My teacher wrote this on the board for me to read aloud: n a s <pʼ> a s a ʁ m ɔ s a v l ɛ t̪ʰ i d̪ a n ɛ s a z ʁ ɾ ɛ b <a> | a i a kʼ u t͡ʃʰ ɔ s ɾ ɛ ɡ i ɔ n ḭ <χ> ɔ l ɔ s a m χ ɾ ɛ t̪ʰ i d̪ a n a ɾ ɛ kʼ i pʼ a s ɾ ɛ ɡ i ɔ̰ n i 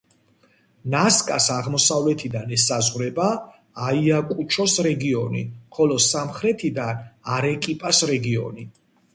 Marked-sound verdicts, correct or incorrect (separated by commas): incorrect, correct, correct